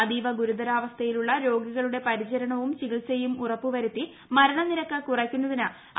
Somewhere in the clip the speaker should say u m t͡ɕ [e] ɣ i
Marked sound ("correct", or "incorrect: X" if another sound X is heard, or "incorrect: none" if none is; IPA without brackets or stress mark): incorrect: i